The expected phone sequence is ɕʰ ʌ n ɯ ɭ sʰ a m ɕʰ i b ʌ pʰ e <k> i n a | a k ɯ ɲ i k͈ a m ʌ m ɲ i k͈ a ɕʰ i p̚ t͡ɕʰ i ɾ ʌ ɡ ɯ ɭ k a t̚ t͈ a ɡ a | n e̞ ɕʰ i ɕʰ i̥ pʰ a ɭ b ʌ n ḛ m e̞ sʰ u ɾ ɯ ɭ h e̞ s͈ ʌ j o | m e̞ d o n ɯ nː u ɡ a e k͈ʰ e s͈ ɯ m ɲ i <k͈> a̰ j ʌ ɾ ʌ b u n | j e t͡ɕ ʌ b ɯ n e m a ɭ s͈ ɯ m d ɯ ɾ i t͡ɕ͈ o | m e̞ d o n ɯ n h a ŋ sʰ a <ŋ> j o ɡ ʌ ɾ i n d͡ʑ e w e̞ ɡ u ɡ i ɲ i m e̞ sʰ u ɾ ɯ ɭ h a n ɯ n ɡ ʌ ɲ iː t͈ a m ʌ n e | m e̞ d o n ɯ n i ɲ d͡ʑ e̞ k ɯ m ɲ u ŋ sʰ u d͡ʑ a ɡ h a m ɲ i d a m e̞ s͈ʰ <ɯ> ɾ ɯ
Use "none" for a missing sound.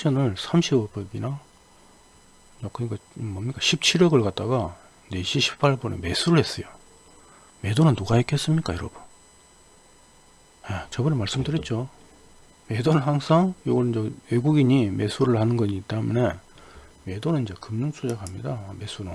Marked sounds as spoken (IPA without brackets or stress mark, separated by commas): ɡ, k͈, ŋ, u